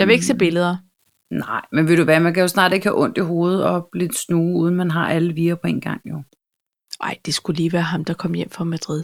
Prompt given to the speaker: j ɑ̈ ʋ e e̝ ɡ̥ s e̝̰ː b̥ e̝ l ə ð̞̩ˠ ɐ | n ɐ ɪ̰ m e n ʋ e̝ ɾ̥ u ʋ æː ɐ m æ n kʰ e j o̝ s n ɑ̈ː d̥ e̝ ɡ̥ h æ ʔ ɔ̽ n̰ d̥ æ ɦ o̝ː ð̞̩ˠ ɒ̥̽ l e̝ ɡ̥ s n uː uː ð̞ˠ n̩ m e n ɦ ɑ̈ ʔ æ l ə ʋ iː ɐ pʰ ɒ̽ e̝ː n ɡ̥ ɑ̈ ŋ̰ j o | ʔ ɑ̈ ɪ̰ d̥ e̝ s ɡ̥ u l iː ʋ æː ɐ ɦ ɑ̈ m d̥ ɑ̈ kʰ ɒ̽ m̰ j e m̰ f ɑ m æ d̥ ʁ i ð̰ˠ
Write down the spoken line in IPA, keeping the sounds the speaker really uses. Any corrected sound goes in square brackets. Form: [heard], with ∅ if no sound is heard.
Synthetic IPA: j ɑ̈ ʋ e e̝ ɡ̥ s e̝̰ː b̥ e̝ l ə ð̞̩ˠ ɐ | n [ɑ] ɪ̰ m e n ʋ e̝ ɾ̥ u ʋ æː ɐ m æ n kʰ [æ] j o̝ s n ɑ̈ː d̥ e̝ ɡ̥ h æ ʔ ɔ̽ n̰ d̥ [i] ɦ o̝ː ð̞̩ˠ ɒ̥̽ l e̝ [d̥] s n uː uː ð̞ˠ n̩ m [æ] n ɦ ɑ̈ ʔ æ l ə ʋ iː ɐ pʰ ɒ̽ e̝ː n ɡ̥ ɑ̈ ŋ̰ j o | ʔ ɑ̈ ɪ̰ d̥ e̝ s ɡ̥ u l iː ʋ æː ɐ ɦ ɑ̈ m d̥ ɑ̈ kʰ ɒ̽ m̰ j e m̰ f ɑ m æ d̥ ʁ i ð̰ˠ